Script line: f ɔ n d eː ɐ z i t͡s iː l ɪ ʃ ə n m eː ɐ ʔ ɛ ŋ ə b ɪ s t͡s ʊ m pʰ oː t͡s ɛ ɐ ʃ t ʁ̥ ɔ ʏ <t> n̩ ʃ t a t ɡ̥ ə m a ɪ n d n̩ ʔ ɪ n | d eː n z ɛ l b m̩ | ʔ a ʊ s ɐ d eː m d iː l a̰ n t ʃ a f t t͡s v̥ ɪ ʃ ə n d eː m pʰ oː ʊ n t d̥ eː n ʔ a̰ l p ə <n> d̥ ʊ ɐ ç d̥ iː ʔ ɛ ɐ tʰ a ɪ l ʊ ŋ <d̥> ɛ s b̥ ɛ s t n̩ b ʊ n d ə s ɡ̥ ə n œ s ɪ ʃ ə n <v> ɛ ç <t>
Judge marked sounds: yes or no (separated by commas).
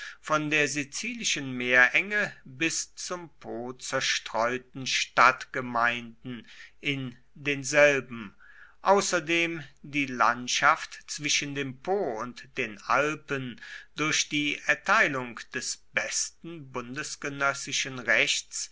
yes, yes, yes, no, no